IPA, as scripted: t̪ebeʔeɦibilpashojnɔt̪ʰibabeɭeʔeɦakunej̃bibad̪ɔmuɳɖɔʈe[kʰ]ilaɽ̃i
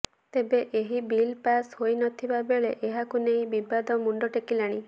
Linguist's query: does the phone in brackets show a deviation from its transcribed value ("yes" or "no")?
yes